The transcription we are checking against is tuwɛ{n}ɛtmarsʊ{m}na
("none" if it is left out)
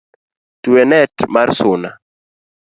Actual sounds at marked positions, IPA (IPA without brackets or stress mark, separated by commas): n, none